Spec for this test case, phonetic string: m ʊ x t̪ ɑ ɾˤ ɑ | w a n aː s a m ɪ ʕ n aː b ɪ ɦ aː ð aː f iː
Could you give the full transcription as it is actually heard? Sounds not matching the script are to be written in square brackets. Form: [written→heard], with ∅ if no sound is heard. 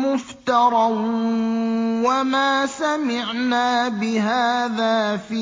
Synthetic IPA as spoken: m ʊ [x→f] t̪ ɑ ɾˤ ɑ | w a [n→m] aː s a m ɪ ʕ n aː b ɪ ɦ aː ð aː f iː